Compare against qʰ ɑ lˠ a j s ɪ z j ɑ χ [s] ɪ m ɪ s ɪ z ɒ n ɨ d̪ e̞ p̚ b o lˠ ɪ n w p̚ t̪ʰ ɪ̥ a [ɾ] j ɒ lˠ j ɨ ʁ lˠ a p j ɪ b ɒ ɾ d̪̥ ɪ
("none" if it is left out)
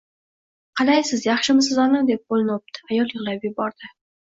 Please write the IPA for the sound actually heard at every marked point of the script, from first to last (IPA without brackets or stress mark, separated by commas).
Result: ʃ, none